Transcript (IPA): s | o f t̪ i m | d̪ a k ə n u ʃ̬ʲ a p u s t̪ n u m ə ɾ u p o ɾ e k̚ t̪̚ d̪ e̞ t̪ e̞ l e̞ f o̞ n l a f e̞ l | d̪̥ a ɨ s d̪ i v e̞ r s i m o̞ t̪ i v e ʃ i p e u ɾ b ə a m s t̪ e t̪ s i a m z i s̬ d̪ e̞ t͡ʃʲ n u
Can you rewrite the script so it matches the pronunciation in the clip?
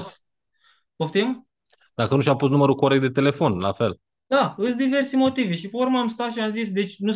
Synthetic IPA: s | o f t̪ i m | d̪ a k ə n u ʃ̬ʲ a p u s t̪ n u m ə ɾ u k o ɾ e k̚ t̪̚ d̪ e̞ t̪ e̞ l e̞ f o̞ n l a f e̞ l | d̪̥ a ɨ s d̪ i v e̞ r s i m o̞ t̪ i v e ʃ i p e u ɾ m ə a m s t̪ a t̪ ʃ i a m z i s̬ d̪ e̞ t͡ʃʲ n u